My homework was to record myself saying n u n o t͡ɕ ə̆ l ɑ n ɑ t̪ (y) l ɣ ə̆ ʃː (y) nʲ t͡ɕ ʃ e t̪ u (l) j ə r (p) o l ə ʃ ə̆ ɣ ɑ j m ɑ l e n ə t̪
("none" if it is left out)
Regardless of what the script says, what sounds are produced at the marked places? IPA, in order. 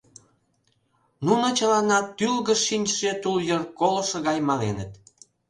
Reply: y, i, l, k

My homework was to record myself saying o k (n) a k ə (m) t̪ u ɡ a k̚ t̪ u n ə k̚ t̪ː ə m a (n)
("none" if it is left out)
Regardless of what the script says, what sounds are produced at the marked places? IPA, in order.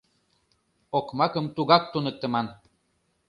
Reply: m, m, n

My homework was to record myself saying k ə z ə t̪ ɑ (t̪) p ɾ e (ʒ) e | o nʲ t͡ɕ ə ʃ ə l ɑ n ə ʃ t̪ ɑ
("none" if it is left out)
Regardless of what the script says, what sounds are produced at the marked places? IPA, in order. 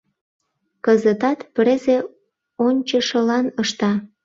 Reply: t̪, z

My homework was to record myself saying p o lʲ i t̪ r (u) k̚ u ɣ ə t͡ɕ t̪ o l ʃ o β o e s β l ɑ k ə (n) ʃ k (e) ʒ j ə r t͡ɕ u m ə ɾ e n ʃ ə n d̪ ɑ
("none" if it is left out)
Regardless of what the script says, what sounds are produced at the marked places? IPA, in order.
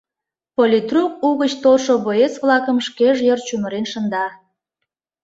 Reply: u, m, e

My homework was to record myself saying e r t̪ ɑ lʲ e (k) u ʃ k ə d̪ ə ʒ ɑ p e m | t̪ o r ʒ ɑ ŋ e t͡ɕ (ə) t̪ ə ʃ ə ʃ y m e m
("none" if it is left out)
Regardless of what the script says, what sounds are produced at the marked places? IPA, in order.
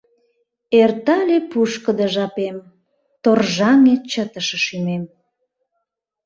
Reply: p, ə

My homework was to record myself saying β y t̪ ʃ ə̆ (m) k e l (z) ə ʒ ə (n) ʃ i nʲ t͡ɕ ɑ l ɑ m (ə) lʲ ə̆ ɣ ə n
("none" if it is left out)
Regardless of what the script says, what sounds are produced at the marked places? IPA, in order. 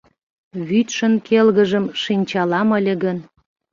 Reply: n, ɣ, m, ə

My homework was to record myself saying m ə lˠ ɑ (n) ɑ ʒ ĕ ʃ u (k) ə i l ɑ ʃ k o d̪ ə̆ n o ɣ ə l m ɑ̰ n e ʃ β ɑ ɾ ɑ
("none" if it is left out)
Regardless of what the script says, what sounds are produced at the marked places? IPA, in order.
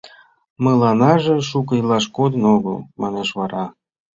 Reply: n, k

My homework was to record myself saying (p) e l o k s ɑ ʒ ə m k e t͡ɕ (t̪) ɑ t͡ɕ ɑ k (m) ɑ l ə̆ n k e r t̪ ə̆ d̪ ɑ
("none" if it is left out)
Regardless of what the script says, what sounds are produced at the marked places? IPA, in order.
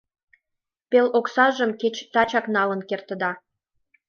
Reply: p, t̪, n

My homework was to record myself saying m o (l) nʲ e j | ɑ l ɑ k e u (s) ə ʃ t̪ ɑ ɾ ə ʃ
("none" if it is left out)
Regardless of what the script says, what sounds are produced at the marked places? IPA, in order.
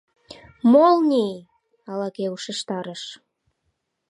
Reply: l, ʃ

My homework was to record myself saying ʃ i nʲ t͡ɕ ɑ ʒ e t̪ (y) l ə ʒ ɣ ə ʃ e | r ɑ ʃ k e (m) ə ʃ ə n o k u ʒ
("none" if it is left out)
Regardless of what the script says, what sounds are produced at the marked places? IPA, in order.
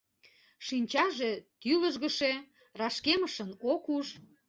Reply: y, m

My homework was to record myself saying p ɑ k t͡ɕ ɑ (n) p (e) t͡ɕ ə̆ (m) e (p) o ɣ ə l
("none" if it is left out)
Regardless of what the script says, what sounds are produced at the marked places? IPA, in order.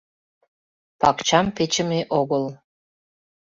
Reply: m, e, m, ʔ

